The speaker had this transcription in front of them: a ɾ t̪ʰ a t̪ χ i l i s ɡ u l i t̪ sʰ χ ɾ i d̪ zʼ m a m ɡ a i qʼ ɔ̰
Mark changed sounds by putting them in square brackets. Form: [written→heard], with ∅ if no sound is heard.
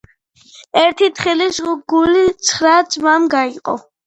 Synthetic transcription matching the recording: [a→ɛ] ɾ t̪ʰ [a→i] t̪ χ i l i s ɡ u l i t̪ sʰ χ ɾ [i→a] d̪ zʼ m a m ɡ a i qʼ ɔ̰